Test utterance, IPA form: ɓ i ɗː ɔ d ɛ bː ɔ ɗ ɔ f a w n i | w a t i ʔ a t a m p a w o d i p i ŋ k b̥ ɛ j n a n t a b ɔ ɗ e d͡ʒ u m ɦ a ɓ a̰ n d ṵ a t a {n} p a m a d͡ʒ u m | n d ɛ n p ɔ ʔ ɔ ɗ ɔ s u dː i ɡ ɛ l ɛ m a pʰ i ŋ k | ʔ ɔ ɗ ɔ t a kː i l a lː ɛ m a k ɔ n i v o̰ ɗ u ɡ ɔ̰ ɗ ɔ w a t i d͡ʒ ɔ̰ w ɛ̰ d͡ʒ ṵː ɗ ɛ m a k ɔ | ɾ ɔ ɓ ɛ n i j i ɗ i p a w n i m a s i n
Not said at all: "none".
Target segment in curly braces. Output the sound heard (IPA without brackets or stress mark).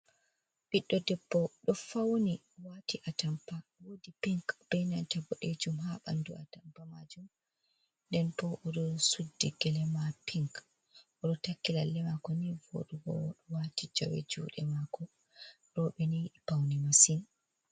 m